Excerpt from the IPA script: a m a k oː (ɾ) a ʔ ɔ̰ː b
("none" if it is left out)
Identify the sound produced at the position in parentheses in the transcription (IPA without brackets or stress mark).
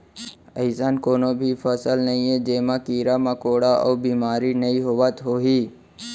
ɽ